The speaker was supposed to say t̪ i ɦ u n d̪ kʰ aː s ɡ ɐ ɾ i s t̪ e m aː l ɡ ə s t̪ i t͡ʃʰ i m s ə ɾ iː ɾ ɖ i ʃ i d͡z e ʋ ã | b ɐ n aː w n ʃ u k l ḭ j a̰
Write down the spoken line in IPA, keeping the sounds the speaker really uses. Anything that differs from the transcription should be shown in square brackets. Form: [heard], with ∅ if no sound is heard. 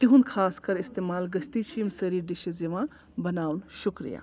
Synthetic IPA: t̪ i ɦ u n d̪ kʰ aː s [k] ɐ ɾ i s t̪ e m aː l ɡ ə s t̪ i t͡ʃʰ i m s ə ɾ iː ɾ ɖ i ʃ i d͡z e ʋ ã | b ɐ n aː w n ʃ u k [ɾ] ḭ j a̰